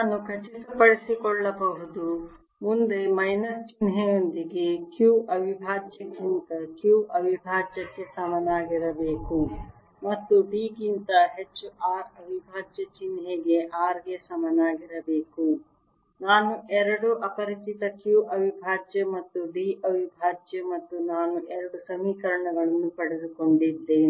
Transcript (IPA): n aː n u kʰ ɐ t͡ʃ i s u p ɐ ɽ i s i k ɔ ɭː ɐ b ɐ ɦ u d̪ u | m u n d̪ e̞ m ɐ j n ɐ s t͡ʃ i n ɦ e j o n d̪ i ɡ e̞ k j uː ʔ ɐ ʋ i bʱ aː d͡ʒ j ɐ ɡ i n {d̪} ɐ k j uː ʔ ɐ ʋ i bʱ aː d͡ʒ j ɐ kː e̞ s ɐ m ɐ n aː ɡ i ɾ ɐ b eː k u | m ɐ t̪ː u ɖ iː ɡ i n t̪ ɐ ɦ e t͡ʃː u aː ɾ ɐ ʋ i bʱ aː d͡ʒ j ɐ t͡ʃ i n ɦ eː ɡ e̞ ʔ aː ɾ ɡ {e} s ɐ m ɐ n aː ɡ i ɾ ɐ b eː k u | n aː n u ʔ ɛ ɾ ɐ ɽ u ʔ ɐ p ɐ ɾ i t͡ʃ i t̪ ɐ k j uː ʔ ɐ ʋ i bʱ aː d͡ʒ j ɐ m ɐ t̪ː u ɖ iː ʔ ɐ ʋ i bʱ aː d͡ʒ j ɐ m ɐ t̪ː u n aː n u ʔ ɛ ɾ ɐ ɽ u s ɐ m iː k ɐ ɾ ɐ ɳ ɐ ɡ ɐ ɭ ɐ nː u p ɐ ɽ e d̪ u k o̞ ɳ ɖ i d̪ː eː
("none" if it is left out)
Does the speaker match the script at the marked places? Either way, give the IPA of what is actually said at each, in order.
t̪, e

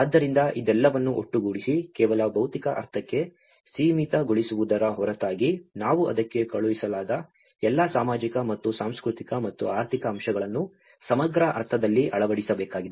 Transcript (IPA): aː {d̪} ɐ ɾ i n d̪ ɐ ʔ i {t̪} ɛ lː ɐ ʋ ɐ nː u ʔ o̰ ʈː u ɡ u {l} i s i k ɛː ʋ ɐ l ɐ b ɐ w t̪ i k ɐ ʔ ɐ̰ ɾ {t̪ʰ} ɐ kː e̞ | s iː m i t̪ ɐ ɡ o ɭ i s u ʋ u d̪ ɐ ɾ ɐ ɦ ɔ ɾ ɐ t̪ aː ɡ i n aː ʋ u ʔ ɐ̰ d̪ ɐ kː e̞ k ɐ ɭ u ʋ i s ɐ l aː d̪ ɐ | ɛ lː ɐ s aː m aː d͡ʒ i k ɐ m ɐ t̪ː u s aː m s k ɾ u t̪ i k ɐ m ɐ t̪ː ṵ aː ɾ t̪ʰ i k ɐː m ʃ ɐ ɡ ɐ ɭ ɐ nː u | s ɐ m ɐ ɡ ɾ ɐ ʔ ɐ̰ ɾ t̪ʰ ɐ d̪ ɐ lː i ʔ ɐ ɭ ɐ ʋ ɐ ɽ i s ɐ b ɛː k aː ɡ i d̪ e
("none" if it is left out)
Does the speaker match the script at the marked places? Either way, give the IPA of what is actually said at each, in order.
d̪ː, d̪, ɽ, t̪ʰ

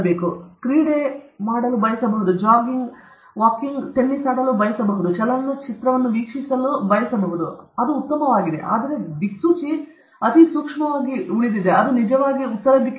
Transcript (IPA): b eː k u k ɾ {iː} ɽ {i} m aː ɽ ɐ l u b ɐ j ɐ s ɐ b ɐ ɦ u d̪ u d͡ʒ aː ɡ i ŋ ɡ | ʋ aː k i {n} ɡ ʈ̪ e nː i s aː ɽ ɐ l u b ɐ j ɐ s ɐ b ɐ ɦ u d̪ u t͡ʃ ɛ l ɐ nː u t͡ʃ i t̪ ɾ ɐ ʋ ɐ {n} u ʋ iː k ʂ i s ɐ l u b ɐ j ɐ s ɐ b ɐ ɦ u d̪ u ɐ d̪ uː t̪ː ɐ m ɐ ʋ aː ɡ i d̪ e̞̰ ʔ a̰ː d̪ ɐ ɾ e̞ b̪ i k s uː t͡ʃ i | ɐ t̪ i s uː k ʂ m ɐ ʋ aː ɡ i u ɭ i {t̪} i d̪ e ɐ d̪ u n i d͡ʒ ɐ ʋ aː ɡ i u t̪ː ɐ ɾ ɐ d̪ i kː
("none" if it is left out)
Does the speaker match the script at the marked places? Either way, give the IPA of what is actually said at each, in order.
iː, e, ŋ, nː, d̪

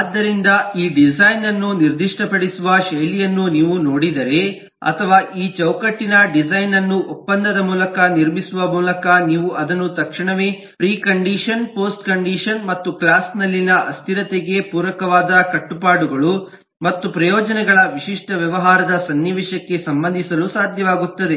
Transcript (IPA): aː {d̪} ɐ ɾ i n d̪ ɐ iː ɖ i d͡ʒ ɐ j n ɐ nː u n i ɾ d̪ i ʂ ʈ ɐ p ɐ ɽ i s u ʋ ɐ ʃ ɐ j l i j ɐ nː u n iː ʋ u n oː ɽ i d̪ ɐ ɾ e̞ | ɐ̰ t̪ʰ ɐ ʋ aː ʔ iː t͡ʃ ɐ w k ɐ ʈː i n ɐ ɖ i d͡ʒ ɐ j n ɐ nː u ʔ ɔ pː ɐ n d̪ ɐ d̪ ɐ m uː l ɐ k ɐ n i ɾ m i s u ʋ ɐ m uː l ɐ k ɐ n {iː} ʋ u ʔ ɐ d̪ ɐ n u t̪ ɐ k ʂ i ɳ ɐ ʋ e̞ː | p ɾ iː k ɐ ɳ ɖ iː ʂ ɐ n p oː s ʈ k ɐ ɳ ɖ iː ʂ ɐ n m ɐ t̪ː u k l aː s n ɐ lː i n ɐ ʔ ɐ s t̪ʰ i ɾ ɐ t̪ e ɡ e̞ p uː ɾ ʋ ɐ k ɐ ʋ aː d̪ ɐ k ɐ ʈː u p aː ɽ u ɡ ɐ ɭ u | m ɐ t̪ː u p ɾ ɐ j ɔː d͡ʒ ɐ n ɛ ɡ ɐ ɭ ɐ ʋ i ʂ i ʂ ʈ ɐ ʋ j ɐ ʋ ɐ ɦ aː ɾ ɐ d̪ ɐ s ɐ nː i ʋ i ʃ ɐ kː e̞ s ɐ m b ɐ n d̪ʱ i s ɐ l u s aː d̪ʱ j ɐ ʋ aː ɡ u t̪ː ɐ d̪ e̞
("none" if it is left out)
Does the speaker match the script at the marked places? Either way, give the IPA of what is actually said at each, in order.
d̪ː, iː

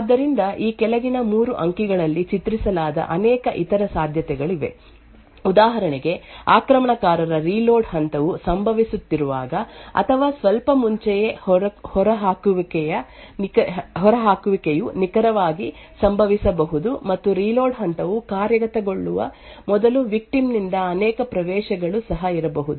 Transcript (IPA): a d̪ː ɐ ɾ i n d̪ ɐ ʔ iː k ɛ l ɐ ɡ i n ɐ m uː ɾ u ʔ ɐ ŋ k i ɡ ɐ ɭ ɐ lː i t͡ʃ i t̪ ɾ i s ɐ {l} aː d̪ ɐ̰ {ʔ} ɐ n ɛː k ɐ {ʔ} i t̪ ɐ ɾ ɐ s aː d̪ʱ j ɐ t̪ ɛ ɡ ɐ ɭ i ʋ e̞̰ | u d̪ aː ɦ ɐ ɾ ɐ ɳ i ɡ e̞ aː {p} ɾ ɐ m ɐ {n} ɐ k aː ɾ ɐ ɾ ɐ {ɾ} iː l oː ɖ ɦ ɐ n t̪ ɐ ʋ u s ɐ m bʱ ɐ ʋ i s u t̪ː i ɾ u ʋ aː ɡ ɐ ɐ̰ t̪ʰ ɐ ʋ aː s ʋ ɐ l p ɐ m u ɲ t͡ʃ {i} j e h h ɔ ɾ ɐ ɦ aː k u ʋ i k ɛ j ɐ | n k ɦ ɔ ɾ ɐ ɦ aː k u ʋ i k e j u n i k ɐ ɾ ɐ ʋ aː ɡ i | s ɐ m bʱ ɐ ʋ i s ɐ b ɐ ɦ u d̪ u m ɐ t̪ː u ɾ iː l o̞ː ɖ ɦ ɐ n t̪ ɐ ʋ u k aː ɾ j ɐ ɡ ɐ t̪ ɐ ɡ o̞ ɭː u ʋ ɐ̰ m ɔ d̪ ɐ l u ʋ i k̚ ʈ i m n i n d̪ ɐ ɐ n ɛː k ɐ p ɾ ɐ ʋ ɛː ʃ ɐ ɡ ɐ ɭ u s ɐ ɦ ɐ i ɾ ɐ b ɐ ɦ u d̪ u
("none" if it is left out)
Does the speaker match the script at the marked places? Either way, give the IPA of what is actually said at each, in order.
l, ʔ, ʔ, k, ɳ, ɾ, ɛ

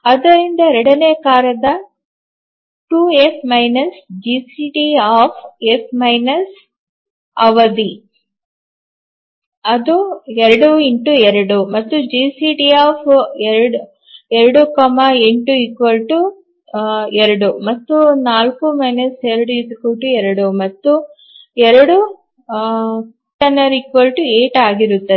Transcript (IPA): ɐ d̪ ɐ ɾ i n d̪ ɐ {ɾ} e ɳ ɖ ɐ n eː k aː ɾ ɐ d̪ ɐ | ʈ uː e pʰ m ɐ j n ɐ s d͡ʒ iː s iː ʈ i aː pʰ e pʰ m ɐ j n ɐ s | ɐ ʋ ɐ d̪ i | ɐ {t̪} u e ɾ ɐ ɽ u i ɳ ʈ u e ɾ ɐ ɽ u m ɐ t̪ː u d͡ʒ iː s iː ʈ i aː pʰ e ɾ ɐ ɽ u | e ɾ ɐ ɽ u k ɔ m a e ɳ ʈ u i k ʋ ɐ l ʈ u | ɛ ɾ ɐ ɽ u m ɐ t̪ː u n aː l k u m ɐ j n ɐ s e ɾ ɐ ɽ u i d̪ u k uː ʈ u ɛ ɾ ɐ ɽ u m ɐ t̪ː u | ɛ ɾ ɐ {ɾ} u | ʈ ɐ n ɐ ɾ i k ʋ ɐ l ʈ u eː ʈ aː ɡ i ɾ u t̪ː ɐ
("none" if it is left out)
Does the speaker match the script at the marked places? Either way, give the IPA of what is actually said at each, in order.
ɾ, d̪, ɽ

